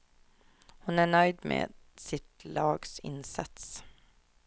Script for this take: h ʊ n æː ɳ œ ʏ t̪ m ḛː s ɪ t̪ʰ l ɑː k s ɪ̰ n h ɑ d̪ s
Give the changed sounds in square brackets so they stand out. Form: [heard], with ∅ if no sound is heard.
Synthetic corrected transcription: h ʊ n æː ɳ œ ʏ [d̪] m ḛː s ɪ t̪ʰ l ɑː [ɡ] s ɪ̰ n [s] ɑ [t̪] s